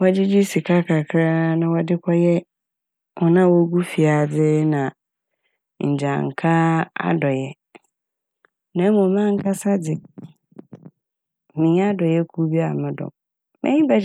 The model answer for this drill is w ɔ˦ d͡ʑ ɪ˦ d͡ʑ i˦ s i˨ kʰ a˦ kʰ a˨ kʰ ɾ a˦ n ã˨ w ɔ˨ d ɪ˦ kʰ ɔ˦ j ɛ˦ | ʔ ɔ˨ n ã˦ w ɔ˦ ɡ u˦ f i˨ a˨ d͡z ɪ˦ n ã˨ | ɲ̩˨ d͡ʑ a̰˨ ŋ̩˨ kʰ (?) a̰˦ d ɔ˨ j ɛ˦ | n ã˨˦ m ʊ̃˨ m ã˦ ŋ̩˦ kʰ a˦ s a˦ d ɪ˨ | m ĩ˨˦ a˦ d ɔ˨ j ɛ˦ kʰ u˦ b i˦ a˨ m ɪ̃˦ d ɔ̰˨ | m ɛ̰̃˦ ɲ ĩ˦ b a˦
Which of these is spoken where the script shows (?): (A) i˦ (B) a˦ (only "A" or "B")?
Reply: B